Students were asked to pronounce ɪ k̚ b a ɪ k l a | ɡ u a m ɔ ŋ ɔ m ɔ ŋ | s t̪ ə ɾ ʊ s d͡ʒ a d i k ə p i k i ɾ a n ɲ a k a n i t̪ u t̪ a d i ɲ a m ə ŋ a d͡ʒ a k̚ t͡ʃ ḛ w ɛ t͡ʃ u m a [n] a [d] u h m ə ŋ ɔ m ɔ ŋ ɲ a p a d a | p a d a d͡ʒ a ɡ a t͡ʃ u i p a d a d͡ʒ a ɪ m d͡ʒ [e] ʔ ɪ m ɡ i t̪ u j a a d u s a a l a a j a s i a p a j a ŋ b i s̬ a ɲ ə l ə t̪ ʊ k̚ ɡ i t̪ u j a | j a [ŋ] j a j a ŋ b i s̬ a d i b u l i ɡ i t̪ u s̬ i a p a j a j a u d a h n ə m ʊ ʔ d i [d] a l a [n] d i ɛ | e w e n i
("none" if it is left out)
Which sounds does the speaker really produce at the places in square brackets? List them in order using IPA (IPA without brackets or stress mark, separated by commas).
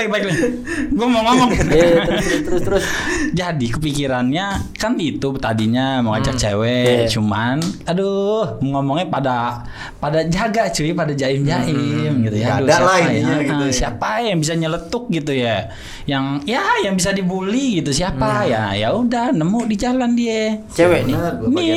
n, d, a, ŋ, d͡ʒ, n